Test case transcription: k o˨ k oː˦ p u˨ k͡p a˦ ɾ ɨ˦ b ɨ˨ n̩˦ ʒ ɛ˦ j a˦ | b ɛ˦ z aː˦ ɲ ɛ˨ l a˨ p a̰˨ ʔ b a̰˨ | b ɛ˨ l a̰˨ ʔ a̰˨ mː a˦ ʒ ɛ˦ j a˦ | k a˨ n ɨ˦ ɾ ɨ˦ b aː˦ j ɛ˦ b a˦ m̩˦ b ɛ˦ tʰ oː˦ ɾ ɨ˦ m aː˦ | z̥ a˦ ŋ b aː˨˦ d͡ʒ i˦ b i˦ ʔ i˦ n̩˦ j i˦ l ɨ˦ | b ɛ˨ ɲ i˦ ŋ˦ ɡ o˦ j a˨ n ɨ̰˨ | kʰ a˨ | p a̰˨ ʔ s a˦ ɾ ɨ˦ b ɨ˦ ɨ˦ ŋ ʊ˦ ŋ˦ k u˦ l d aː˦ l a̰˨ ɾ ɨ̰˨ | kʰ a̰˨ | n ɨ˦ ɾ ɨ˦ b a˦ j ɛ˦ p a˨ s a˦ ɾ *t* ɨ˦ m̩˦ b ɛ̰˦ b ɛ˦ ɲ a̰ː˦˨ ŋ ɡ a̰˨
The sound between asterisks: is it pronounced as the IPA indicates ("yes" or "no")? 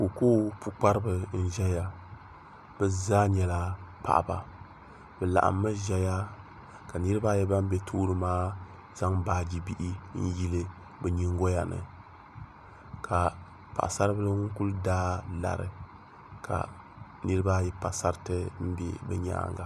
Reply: yes